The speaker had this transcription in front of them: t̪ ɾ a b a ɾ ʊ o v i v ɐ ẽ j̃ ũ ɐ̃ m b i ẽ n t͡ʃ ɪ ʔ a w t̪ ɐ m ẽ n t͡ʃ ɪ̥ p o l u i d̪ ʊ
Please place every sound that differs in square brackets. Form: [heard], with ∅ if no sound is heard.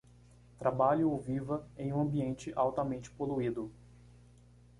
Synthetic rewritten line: t̪ ɾ a b a [ʎ] ʊ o v i v ɐ ẽ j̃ ũ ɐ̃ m b i ẽ n t͡ʃ ɪ ʔ a w t̪ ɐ m ẽ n t͡ʃ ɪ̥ p o l u i d̪ ʊ

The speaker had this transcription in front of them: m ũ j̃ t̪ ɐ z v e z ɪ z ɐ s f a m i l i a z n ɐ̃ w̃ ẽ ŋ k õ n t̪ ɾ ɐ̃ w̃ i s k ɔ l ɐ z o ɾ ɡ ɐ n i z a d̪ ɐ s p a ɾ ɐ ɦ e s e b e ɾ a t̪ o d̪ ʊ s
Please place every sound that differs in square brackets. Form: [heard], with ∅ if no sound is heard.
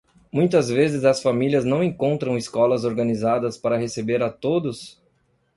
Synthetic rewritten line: m ũ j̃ t̪ ɐ z v e z ɪ z ɐ s f a m i l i [ɐ] z n ɐ̃ w̃ ẽ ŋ k õ n t̪ ɾ ɐ̃ w̃ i s k ɔ l ɐ z o ɾ ɡ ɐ n i z a d̪ ɐ s p a ɾ ɐ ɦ e s e b e ɾ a t̪ o d̪ ʊ s

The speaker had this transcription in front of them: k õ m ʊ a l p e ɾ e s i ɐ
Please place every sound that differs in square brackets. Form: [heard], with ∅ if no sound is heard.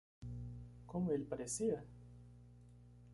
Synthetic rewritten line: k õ m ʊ [e] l p [a] ɾ e s i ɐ

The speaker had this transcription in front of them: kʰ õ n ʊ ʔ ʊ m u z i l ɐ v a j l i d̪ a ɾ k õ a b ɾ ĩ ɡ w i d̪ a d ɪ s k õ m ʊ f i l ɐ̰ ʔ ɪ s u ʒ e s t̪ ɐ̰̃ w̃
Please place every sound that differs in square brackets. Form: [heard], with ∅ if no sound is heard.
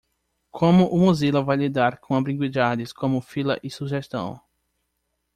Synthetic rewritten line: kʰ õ [m] ʊ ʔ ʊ m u z i l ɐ v a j l i d̪ a ɾ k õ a b ɾ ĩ ɡ w i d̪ a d ɪ s k õ m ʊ f i l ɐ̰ ʔ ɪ s u ʒ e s t̪ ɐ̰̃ w̃

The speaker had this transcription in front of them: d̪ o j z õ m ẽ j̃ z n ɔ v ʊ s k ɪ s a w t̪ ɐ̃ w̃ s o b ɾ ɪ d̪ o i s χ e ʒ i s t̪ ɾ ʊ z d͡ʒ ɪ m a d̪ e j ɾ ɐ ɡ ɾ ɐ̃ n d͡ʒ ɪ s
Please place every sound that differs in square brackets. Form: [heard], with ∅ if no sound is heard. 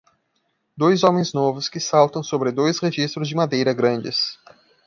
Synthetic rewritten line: d̪ o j z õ m ẽ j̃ z n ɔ v ʊ s k ɪ s a w t̪ ɐ̃ w̃ s o b ɾ ɪ d̪ o [j] s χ e ʒ i s t̪ ɾ ʊ z d͡ʒ ɪ m a d̪ e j ɾ ɐ ɡ ɾ ɐ̃ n d͡ʒ ɪ s

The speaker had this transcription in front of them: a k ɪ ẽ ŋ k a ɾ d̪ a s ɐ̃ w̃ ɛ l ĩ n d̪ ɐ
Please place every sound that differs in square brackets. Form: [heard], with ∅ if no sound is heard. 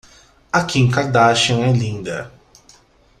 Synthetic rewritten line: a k [i] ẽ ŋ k a ɾ d̪ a [ʃ] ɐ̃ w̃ ɛ l ĩ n d̪ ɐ

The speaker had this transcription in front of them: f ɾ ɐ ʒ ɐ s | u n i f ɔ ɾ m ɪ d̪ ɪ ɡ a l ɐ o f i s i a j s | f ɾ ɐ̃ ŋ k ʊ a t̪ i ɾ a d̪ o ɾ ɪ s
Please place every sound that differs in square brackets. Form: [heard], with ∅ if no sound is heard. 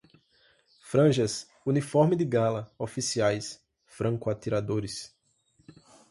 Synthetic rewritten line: f ɾ [ɐ̃] ʒ ɐ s | u n i f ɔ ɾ m ɪ d̪ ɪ ɡ a l ɐ o f i s i a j s | f ɾ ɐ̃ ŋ k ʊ a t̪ i ɾ a d̪ o ɾ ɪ s

